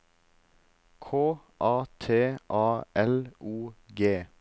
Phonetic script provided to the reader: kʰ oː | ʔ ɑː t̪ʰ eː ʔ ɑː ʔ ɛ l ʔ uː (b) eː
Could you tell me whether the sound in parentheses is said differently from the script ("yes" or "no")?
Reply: yes